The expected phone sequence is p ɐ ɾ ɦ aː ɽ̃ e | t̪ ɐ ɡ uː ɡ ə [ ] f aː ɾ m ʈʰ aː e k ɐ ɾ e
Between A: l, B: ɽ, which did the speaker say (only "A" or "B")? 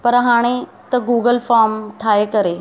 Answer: A